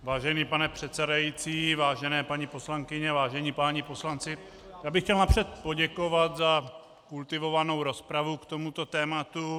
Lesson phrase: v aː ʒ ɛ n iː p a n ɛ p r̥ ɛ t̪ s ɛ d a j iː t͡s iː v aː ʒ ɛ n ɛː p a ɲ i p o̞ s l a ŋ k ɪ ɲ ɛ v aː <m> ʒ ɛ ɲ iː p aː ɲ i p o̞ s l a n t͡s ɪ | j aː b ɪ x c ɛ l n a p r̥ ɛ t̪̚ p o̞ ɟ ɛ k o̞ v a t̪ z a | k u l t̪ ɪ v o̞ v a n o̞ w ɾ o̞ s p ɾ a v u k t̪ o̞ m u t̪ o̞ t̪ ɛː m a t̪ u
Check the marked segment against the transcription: incorrect: none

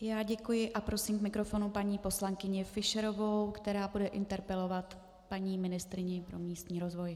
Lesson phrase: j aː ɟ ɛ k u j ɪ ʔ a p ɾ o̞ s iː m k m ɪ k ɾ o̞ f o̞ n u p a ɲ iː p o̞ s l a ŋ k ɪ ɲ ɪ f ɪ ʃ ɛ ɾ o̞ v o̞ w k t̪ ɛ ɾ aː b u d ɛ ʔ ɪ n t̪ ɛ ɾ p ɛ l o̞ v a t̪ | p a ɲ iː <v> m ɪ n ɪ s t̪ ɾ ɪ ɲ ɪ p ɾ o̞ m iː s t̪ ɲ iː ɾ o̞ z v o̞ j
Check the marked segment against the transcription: incorrect: none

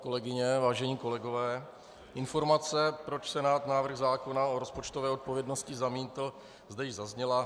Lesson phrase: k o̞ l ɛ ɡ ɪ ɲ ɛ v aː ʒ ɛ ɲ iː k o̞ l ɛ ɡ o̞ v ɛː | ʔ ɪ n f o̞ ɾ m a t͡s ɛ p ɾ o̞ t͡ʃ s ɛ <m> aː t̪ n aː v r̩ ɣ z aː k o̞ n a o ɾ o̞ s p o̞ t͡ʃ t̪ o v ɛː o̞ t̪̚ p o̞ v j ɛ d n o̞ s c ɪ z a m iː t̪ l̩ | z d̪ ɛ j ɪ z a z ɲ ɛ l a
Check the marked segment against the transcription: incorrect: n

